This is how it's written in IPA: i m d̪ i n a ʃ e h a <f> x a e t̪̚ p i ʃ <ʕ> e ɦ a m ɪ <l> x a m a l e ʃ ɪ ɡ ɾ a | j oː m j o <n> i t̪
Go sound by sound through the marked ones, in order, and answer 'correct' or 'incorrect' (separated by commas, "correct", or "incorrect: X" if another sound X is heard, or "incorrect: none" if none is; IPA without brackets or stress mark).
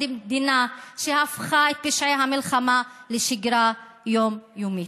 correct, correct, correct, incorrect: m